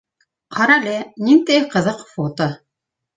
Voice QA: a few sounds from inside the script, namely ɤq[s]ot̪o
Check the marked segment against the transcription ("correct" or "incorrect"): incorrect